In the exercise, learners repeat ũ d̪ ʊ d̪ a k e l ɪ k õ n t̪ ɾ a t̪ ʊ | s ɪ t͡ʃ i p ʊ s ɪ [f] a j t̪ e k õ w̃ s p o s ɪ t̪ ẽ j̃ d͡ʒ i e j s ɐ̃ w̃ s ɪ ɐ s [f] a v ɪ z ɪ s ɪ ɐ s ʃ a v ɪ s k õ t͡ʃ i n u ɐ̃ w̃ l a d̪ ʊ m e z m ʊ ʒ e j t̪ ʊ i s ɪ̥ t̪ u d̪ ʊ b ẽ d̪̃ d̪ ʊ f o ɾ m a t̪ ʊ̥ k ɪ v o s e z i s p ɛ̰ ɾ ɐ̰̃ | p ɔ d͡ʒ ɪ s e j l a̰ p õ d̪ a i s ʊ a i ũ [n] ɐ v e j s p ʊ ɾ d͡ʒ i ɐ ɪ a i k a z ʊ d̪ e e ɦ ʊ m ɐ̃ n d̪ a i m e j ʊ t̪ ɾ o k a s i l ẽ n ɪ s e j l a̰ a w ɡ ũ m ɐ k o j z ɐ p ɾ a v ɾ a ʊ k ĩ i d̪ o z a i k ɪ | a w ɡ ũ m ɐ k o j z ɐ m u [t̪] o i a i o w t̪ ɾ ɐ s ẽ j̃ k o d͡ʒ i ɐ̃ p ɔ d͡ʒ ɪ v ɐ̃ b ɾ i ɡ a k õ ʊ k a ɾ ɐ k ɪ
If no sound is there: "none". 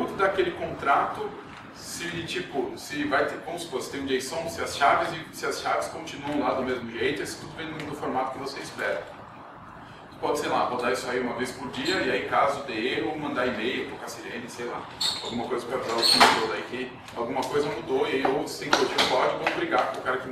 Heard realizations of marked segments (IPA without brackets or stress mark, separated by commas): v, ʃ, m, d̪